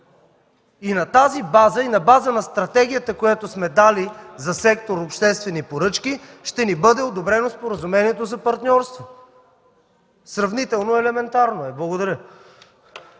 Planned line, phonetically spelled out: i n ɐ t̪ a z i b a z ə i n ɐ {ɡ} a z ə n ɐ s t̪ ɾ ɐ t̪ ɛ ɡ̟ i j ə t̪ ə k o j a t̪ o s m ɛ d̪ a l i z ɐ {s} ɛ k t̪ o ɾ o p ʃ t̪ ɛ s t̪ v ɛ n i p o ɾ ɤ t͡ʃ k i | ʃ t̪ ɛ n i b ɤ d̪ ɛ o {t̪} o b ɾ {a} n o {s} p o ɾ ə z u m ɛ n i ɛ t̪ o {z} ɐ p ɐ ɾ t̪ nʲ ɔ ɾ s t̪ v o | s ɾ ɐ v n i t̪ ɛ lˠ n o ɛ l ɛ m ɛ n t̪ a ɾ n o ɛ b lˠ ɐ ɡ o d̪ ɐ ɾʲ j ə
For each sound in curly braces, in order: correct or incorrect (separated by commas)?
incorrect, correct, incorrect, incorrect, correct, correct